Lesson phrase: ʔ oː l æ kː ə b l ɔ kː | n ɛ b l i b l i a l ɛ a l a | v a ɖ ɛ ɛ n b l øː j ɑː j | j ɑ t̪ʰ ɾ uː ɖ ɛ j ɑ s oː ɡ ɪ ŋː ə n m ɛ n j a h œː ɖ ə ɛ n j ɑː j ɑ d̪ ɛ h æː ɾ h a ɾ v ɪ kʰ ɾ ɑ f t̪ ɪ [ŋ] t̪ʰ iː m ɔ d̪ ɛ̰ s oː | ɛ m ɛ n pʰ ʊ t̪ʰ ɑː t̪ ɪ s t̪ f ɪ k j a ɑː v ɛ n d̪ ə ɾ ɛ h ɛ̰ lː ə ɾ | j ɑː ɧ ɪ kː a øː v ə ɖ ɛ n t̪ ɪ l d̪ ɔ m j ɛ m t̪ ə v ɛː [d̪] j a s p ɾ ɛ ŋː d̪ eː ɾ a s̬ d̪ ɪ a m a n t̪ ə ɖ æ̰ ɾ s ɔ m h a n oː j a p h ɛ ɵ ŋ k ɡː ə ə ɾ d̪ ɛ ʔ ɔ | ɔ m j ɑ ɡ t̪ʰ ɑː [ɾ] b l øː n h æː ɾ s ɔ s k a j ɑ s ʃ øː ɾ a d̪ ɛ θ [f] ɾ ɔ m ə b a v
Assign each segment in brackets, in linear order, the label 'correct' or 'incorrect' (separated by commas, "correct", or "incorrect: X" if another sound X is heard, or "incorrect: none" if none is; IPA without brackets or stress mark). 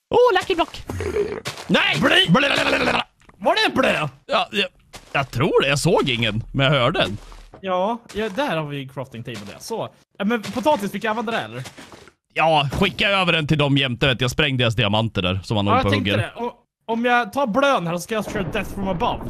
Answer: correct, incorrect: t̪, correct, correct